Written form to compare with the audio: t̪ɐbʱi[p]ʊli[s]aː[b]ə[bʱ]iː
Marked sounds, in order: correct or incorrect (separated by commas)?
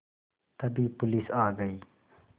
correct, correct, incorrect, incorrect